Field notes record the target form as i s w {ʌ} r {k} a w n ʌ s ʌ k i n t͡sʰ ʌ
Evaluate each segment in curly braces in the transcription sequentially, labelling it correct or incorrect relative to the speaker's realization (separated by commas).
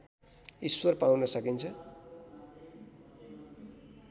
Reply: correct, incorrect